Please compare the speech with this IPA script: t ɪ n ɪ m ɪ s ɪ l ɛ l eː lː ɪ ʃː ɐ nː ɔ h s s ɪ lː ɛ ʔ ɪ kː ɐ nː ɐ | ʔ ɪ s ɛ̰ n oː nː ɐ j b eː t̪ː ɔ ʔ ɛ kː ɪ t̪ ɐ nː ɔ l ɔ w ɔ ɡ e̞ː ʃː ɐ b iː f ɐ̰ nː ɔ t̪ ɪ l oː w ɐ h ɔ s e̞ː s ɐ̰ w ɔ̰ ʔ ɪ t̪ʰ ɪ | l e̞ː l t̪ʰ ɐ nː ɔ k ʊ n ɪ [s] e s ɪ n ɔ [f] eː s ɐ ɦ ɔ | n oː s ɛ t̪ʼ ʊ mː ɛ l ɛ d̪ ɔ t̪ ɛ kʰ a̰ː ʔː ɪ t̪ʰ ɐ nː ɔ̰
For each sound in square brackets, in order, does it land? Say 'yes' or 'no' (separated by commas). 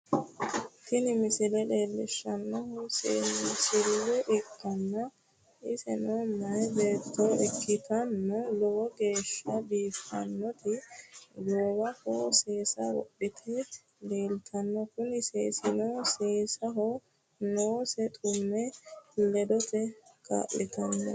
yes, no